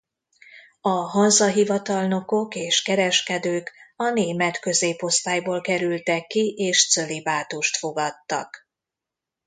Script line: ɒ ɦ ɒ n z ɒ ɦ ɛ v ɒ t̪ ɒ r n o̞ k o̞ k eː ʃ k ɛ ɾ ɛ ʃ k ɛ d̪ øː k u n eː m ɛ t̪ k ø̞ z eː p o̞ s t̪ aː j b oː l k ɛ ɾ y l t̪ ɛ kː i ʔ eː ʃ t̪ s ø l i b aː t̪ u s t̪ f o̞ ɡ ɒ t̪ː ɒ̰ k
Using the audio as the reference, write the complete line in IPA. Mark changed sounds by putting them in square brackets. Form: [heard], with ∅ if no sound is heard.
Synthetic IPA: ɒ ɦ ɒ n z ɒ ɦ [i] v ɒ t̪ ɒ [l] n o̞ k o̞ k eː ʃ k ɛ ɾ ɛ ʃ k ɛ d̪ øː k [ɒ] n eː m ɛ t̪ k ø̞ z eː p o̞ s t̪ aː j b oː l k ɛ ɾ y l t̪ ɛ kː i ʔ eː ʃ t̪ s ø l i b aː t̪ u [ʃ] t̪ f o̞ ɡ ɒ t̪ː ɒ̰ k